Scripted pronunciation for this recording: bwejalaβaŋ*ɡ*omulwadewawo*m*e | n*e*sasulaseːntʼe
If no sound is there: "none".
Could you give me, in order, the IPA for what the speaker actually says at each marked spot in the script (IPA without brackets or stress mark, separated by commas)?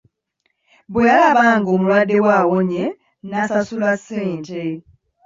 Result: ɡ, ɲ, a